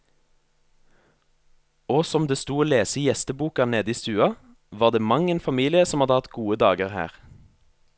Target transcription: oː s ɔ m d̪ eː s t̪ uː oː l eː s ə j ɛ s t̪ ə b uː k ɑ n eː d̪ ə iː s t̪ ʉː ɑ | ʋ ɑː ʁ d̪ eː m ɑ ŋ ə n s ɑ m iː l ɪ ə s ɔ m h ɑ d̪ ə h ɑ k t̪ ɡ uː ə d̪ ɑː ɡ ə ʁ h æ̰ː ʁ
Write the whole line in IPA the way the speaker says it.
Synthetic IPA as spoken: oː s ɔ m d̪ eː s t̪ uː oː l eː s ə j ɛ s t̪ ə b uː k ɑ n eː d̪ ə iː s t̪ ʉː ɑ | ʋ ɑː ʁ d̪ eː m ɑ ŋ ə n f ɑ m iː l ɪ ə s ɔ m h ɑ d̪ ə h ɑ t̪ ɡ uː ə d̪ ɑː ɡ ə ʁ h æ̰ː ʁ

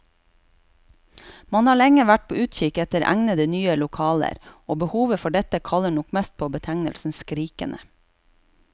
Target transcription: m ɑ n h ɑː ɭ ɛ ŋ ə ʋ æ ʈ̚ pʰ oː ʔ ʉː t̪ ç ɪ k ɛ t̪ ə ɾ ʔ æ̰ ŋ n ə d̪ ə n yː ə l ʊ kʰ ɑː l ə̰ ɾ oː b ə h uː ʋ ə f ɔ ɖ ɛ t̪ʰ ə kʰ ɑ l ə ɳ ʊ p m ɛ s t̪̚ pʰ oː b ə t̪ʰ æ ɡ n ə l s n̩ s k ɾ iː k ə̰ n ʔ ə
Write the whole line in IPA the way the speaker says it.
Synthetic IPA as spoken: m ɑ n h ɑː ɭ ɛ ŋ ə ʋ æ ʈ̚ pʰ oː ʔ ʉː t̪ ç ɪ k ɛ t̪ ə ɾ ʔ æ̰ ŋ n ə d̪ ə n yː ə l ʊ kʰ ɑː l ə̰ ɾ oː b ə h uː ʋ ə f ɔ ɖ ɛ t̪ ə kʰ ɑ l ə ɳ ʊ k m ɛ s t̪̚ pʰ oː b ə t̪ʰ æ ŋ n ə l s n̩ s k ɾ iː k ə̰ n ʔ ə

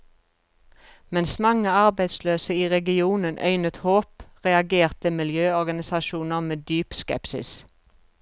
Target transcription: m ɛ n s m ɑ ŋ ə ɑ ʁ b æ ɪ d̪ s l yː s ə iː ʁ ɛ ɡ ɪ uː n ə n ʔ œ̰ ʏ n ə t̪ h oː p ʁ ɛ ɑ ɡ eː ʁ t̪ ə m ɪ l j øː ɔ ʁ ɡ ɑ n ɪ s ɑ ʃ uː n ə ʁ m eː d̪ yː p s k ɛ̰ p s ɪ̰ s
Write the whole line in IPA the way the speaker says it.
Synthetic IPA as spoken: m ɛ n s m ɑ ŋ ə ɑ ʁ b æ ɪ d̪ s l øː s ə iː ʁ ɛ ɡ ɪ uː n ə n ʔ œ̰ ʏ n ə t̪ h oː p ʁ ɛ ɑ ɡ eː ʁ t̪ ə m ɪ l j øː ɔ ʁ ɡ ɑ n ɪ s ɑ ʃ uː n ə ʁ m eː d̪ yː p s k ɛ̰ p s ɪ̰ s

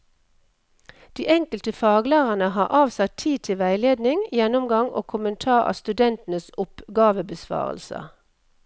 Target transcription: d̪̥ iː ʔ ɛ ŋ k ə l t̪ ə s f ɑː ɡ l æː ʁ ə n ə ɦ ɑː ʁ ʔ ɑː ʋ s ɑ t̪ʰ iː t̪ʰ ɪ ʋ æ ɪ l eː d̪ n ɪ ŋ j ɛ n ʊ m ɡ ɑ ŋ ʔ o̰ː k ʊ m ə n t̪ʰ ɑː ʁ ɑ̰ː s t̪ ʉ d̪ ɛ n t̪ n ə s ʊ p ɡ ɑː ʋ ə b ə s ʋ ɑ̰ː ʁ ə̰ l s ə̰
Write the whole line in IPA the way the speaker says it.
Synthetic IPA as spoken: d̪̥ iː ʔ ɛ ŋ k ə l t̪ ə f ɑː ɡ l æː ʁ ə n ə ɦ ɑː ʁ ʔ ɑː ʋ s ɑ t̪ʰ iː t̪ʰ ɪ ʋ æ ɪ l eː d̪ n ɪ ŋ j ɛ n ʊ m ɡ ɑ ŋ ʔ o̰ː kʰ ʊ m ə n t̪ʰ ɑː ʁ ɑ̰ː s t̪ ʉ d̪ ɛ n t̪ n ə s ʊ p ɡ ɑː ʋ ə b ə s ʋ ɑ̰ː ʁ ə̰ l s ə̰

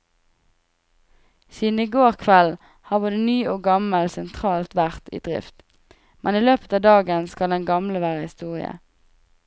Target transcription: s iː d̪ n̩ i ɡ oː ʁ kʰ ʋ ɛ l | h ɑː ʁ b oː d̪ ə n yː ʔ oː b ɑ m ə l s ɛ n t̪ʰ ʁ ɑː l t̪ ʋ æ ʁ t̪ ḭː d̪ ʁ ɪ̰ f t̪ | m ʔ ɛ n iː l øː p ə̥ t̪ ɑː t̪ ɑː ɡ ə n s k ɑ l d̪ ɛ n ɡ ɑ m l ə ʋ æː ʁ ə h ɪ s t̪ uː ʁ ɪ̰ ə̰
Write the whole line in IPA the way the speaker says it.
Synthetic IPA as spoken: s iː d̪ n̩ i ɡ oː ʁ kʰ ʋ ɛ l | h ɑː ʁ b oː d̪ ə n yː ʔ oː ɡ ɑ m ə l s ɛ n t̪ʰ ʁ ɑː l t̪ ʋ æ ʁ t̪ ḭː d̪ ʁ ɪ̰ f t̪ | m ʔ ɛ n iː l øː p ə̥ t̪ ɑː d̪ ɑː ɡ ə n s k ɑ l d̪ ɛ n ɡ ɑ m l ə ʋ æː ʁ ə h ɪ s t̪ uː ʁ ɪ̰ ə̰

